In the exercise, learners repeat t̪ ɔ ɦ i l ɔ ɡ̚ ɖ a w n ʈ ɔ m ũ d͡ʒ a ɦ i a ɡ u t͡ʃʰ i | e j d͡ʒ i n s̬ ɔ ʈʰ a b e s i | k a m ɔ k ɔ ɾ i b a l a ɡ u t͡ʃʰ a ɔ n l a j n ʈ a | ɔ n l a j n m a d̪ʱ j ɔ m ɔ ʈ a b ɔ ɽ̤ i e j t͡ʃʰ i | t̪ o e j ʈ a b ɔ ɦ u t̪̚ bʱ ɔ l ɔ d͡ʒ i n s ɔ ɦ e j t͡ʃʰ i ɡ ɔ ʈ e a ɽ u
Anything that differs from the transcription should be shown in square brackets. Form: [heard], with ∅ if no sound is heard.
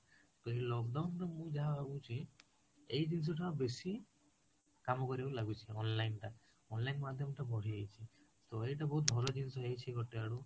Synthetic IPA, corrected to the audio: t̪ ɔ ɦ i l ɔ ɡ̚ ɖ a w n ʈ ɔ m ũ d͡ʒ a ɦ [a] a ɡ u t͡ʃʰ i | e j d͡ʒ i n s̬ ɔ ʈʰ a b e s i | k a m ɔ k ɔ ɾ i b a l a ɡ u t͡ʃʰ [i] ɔ n l a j n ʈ a | ɔ n l a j n m a d̪ʱ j ɔ m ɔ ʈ a b ɔ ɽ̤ i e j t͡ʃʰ i | t̪ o e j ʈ a b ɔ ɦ u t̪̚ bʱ ɔ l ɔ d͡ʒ i n s ɔ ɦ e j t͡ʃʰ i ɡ ɔ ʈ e a ɽ u